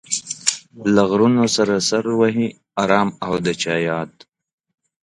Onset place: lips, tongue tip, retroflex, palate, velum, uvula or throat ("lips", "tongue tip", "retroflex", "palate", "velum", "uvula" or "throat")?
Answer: tongue tip